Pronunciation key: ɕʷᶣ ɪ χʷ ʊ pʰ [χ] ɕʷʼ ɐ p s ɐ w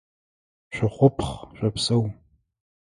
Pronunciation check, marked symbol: correct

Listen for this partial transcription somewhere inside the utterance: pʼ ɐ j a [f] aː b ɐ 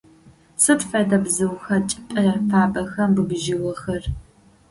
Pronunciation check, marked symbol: correct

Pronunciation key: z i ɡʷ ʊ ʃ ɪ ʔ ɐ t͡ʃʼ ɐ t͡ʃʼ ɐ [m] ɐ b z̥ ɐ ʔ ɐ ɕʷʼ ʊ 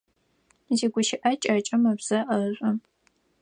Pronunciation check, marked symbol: correct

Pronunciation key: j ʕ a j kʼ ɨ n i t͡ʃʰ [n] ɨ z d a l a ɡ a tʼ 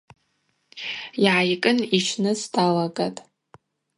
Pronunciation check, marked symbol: correct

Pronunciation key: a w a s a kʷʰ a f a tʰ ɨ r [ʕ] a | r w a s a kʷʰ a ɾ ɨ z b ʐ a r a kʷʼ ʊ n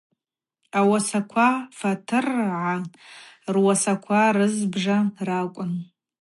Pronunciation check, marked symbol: correct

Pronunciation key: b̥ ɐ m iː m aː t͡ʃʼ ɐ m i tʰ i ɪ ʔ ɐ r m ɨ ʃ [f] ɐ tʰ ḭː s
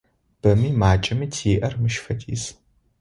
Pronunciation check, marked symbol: correct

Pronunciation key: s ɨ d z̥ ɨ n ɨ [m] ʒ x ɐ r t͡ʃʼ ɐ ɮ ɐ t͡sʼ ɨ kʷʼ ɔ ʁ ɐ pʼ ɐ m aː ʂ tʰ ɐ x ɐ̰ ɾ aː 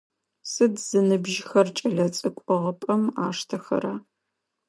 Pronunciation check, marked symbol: incorrect: b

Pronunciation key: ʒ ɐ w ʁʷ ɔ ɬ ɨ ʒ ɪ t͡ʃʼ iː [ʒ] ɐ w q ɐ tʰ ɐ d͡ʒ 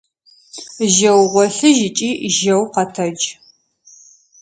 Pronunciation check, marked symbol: correct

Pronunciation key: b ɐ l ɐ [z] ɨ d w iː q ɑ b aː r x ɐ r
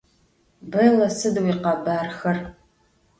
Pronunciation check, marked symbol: incorrect: s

